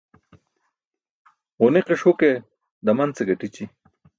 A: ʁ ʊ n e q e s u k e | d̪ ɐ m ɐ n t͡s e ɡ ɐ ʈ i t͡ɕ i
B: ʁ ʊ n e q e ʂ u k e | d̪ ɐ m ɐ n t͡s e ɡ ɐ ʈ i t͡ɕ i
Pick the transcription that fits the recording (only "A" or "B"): B